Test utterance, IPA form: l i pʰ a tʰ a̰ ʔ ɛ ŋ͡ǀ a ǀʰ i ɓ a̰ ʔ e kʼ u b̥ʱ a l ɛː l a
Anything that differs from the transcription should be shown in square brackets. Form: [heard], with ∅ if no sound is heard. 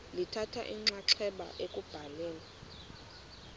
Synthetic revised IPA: l i [tʰ] a tʰ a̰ ʔ [i] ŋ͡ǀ a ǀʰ [ɛ] ɓ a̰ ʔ e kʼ u b̥ʱ a l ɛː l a